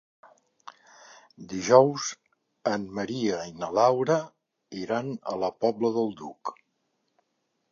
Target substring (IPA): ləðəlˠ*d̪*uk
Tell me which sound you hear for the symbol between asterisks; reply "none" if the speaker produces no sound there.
d̪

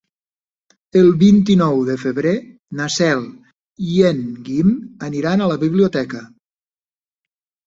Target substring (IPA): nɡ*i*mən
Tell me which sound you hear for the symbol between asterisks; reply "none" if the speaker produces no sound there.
i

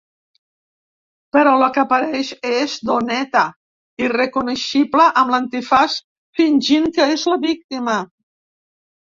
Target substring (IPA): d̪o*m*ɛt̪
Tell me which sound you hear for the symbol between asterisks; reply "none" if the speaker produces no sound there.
n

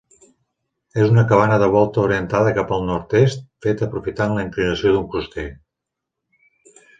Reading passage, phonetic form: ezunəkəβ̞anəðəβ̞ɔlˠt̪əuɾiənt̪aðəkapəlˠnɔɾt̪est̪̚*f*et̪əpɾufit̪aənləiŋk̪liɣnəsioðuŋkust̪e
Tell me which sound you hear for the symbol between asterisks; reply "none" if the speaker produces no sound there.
f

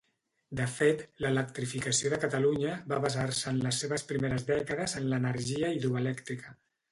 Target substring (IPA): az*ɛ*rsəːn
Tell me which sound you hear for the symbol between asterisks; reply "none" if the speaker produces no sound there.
a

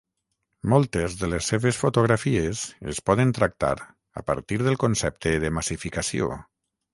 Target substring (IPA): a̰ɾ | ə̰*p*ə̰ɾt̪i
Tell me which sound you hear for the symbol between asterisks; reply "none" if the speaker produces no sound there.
p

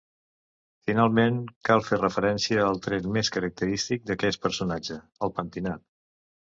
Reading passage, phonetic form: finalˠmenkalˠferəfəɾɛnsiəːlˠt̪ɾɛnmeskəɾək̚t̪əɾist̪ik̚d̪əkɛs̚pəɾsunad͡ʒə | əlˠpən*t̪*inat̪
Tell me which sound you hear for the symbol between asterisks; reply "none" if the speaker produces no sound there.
t̪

